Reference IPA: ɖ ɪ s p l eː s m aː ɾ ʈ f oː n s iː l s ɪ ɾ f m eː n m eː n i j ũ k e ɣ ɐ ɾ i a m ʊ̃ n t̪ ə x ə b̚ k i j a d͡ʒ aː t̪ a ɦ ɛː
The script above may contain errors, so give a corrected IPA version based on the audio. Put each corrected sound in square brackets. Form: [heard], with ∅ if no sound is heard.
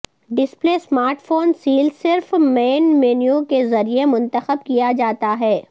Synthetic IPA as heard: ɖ ɪ s p l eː s m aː ɾ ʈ f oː n s iː l s ɪ ɾ f m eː n m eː n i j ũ k e [z] ɐ ɾ i [e] m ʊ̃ n t̪ ə x ə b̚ k i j a d͡ʒ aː t̪ a ɦ ɛː